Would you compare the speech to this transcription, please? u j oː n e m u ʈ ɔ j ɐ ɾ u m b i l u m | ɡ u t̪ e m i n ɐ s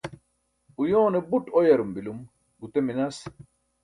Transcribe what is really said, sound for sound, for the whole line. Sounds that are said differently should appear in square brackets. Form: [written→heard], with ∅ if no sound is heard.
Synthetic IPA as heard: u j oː n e [m→b] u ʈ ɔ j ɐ ɾ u m b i l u m | ɡ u t̪ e m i n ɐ s